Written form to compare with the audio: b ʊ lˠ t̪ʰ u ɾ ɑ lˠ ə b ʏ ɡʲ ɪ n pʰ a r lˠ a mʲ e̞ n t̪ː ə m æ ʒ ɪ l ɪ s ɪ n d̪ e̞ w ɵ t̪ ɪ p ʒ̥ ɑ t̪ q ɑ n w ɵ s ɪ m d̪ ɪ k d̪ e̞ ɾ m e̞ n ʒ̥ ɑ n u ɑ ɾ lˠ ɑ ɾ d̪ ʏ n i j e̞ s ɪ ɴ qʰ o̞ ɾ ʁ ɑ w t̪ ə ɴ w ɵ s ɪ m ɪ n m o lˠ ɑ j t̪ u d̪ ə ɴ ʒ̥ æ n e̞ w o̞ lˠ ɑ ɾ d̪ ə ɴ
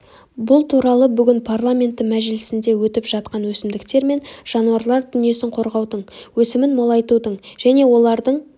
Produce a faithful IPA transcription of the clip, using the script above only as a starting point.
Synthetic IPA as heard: b ʊ lˠ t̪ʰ u ɾ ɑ lˠ ə b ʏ ɡʲ ɪ n pʰ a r lˠ a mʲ e̞ n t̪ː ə m æ ʒ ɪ l ɪ s ɪ n d̪ e̞ w ɵ t̪ ɪ p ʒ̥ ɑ t̪ q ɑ n w ɵ s ɪ m d̪ ɪ k t̪ e̞ ɾ m e̞ n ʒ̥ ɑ n u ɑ ɾ lˠ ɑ ɾ d̪ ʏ n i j e̞ s ɪ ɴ qʰ o̞ ɾ ʁ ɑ w d̪ ə ɴ w ɵ s ɪ m ɪ n m o lˠ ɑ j t̪ u d̪ ə ɴ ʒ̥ æ n e̞ w o̞ lˠ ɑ ɾ d̪ ə ɴ